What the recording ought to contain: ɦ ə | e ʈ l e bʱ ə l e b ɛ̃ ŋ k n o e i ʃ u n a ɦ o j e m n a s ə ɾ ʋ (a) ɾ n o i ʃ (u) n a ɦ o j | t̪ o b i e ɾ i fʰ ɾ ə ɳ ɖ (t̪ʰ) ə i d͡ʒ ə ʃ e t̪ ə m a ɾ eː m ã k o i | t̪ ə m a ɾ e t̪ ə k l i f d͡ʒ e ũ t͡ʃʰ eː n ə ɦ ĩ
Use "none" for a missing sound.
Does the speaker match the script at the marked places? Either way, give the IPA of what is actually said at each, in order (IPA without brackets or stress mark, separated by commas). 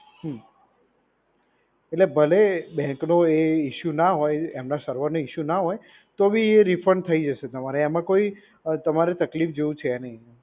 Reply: ə, u, t̪ʰ